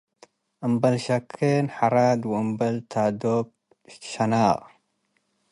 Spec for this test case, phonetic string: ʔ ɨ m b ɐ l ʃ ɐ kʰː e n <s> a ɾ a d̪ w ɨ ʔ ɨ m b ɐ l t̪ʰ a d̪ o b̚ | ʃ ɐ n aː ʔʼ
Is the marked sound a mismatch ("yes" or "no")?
yes